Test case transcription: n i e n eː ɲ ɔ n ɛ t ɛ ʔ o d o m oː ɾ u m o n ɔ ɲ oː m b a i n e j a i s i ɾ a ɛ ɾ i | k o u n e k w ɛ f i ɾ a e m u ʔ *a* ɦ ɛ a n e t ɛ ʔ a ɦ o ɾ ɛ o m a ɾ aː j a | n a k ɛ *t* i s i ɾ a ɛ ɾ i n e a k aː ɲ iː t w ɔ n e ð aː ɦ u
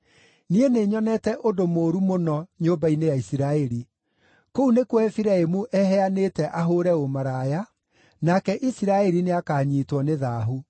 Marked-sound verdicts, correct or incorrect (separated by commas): incorrect, incorrect